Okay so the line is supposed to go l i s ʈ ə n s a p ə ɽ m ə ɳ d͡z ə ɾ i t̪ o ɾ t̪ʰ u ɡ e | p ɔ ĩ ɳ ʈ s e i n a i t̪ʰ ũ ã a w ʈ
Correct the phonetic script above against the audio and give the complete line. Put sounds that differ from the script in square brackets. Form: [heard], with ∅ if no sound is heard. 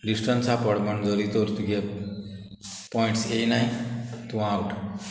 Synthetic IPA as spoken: l i s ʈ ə n s a p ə ɽ m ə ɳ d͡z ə ɾ i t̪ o ɾ [t̪] u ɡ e | p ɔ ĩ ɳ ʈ s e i n a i [t̪] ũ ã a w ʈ